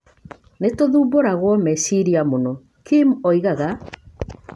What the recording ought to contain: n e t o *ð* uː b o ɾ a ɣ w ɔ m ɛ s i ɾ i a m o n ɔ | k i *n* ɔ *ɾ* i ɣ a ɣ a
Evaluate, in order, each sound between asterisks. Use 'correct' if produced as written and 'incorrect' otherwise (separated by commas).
correct, incorrect, incorrect